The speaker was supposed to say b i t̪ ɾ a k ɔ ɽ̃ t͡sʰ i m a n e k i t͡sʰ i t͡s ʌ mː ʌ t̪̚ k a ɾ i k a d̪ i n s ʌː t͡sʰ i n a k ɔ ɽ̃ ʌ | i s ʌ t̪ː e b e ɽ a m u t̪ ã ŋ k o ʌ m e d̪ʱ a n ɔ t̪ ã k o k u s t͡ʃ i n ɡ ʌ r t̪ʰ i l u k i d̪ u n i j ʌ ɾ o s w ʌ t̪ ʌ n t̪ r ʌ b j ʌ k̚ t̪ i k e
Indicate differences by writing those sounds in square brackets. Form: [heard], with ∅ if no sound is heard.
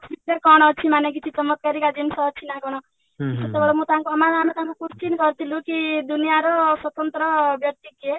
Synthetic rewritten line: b i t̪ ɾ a k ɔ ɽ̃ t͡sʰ i m a n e k i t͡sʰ i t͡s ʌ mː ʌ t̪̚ k a ɾ i k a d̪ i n s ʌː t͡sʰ i n a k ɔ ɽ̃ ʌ | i s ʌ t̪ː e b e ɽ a m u t̪ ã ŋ k o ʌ m [a] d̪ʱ a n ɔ t̪ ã k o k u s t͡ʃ i n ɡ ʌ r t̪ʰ i l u k i d̪ u n i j [a] ɾ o s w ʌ t̪ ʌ n t̪ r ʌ b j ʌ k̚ t̪ i k e